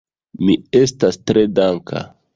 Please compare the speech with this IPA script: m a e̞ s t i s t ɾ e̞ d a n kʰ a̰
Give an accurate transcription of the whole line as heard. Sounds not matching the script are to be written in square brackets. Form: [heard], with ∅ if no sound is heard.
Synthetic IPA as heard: m [i] e̞ s t [a] s t ɾ e̞ d a [ŋ] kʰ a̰